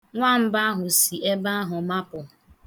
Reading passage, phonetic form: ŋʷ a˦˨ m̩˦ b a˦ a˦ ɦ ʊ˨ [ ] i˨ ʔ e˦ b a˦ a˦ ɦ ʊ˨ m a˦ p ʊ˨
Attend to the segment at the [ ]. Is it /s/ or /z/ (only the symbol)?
s